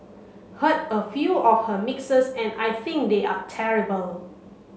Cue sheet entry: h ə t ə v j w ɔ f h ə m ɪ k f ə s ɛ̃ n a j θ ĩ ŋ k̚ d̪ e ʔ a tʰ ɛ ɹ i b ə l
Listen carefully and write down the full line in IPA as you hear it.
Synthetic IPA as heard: h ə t ə f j u ɔ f h ə m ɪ k s ə s ɛ̃ n a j θ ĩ ŋ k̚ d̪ e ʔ a tʰ ɛ ɹ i b ə l